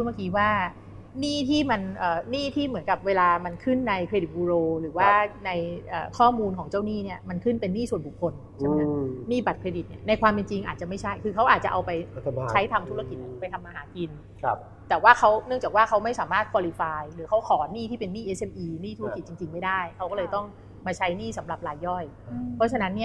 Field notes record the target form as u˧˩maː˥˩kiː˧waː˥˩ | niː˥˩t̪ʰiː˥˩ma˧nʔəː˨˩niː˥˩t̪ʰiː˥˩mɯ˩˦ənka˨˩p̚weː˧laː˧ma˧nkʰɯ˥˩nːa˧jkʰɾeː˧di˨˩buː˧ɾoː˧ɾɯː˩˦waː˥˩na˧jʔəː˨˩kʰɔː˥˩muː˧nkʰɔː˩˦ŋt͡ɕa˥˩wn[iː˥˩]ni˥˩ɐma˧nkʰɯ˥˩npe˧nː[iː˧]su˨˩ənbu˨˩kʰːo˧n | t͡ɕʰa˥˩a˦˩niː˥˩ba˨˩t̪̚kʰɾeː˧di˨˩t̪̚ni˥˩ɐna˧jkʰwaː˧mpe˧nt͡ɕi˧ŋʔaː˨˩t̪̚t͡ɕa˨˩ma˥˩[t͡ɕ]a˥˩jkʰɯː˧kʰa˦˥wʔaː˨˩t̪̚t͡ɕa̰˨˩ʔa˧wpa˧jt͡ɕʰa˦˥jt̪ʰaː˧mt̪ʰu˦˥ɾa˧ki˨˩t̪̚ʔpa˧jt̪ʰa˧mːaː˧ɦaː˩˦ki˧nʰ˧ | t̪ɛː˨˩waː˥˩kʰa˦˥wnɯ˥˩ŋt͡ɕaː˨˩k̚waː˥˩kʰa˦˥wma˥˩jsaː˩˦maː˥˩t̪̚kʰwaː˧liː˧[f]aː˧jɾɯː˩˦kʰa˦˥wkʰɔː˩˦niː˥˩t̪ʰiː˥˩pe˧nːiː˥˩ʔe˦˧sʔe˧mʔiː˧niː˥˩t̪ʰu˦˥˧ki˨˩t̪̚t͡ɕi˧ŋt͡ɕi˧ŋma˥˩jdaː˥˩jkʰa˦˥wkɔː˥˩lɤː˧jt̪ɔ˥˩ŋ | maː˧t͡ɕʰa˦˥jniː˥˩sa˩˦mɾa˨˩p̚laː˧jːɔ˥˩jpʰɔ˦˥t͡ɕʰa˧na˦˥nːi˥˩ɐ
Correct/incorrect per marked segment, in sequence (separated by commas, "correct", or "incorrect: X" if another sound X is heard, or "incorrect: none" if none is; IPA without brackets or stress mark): correct, incorrect: iː˥˩, incorrect: t͡ɕʰ, correct